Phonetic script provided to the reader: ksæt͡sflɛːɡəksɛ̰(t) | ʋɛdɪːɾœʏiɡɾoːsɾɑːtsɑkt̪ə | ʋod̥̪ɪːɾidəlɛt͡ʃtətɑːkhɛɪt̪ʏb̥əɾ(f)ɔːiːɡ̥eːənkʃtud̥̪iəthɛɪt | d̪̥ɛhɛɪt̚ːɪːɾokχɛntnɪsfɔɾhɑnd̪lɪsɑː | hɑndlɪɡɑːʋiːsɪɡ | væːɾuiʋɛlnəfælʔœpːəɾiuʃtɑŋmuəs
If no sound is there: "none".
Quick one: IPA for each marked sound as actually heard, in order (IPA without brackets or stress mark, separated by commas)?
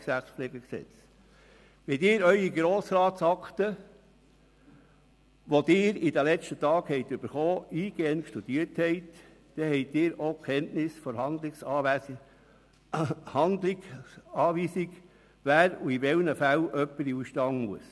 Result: t͡s, χ